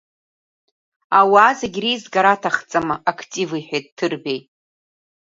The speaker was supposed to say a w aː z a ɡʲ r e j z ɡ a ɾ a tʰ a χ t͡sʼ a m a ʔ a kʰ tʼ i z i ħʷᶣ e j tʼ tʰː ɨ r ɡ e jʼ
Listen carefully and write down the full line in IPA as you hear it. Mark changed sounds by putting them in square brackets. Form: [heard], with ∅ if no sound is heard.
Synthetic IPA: a w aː z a ɡʲ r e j z ɡ a ɾ a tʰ a χ t͡sʼ a m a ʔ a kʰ tʼ i [v] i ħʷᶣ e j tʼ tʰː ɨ r [b] e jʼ